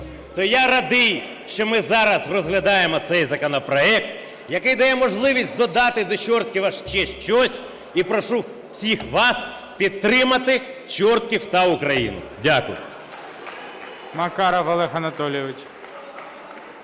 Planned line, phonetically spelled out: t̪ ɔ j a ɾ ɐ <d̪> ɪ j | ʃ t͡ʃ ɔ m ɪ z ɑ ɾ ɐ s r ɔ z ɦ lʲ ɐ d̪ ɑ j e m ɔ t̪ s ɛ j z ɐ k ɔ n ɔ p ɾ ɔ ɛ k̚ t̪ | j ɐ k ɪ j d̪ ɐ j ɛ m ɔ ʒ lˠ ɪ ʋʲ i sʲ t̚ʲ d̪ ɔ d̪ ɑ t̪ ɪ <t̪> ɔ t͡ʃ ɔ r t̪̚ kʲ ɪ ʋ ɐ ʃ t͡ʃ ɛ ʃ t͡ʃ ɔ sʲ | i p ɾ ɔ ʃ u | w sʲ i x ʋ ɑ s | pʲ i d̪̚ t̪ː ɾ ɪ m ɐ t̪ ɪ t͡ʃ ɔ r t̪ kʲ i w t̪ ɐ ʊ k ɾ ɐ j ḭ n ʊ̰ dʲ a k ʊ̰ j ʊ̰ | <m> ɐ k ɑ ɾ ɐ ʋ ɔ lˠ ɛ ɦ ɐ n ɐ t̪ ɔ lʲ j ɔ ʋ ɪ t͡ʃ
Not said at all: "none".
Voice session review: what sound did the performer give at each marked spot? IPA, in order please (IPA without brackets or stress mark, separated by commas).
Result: d̪, d̪, m